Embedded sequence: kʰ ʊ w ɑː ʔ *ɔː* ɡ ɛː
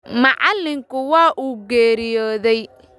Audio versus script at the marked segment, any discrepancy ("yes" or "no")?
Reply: yes